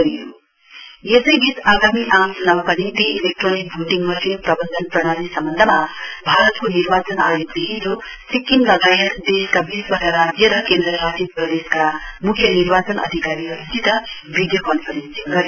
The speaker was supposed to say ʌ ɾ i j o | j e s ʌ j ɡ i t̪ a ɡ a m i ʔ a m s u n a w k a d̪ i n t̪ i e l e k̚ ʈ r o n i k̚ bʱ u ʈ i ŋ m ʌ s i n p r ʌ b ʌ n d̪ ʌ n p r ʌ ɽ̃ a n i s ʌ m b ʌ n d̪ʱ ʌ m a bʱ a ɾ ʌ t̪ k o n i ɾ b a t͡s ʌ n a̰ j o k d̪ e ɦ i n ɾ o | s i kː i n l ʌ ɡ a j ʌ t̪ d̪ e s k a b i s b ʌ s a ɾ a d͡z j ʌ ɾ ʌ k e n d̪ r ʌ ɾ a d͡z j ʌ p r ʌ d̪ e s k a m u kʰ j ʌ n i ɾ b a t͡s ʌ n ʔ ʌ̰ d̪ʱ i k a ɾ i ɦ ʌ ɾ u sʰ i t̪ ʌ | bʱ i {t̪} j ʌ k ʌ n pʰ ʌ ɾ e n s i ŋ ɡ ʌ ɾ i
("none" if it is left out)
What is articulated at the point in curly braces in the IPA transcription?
d̪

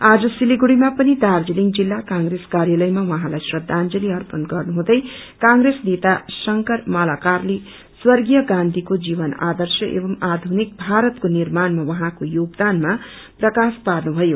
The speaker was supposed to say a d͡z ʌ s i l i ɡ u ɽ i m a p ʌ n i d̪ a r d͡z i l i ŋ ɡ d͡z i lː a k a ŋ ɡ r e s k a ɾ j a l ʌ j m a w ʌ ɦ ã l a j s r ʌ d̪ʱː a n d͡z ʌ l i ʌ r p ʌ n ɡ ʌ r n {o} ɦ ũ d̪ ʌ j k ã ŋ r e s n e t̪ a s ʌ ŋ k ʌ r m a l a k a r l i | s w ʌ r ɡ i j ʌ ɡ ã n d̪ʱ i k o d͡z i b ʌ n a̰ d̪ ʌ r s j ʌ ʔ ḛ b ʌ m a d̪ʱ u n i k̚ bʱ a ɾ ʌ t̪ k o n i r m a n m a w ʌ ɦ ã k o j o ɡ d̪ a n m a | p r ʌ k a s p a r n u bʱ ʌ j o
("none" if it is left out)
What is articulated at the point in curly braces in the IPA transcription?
u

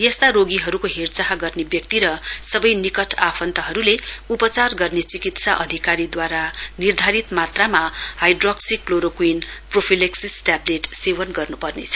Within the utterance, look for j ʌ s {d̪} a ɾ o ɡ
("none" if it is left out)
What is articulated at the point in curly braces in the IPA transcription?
t̪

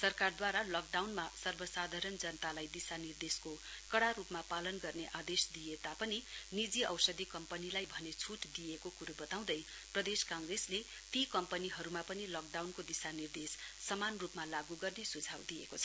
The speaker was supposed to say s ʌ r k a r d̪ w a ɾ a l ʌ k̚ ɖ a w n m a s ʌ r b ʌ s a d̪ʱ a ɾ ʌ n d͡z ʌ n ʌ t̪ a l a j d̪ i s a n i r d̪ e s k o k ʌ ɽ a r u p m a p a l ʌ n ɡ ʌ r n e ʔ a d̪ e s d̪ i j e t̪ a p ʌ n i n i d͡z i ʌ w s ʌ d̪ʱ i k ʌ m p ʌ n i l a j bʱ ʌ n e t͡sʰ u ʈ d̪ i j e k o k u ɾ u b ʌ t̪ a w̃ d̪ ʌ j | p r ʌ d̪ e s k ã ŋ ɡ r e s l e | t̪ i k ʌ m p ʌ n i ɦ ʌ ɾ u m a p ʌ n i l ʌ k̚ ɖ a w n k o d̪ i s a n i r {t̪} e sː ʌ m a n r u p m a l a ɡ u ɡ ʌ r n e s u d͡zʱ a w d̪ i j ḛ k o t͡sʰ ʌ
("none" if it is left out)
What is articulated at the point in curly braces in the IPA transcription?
d̪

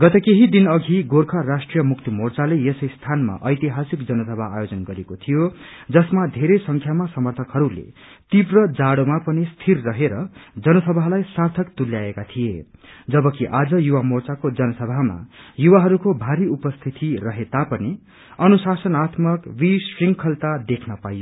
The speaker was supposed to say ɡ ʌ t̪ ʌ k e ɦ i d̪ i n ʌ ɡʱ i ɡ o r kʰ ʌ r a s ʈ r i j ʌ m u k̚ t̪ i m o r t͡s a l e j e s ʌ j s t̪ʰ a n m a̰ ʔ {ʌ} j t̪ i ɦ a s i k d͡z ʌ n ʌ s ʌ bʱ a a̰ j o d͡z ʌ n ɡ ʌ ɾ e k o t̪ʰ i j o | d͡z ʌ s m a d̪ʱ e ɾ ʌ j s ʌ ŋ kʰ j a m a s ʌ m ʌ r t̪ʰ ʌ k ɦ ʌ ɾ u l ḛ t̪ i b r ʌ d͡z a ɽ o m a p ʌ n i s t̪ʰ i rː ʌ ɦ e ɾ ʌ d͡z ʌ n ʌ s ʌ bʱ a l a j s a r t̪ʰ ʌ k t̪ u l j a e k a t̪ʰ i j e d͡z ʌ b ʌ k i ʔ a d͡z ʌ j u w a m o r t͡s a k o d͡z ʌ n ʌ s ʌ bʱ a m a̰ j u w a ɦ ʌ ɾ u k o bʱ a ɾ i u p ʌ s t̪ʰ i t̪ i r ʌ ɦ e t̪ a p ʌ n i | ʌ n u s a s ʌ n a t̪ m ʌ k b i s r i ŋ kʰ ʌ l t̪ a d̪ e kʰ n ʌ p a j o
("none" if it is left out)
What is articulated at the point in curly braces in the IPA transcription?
ʌ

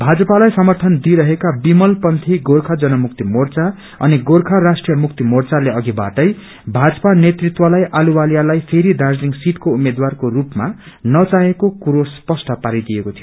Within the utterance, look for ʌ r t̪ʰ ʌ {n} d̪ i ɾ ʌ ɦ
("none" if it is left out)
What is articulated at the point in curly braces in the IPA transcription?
n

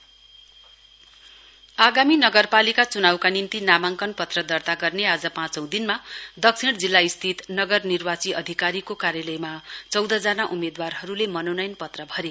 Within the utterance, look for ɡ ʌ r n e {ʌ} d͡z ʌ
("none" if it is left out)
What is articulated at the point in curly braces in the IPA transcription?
a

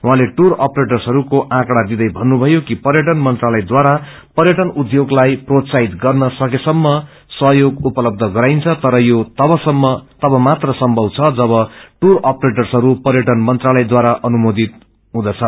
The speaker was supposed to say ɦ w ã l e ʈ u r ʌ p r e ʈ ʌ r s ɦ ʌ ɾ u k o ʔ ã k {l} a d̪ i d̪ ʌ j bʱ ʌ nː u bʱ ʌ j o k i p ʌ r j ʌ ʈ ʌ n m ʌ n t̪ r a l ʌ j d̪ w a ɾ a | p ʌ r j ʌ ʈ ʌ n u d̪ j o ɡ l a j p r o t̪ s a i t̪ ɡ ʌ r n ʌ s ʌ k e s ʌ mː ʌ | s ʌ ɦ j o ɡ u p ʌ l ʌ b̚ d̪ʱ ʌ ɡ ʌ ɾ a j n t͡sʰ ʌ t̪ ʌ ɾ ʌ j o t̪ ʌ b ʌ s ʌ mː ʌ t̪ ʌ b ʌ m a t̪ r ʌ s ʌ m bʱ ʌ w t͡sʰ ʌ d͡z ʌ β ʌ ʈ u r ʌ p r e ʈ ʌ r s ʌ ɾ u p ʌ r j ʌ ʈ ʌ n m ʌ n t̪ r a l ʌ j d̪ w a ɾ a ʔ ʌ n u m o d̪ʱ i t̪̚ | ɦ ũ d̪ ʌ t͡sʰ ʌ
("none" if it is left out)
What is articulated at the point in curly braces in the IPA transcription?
ɽ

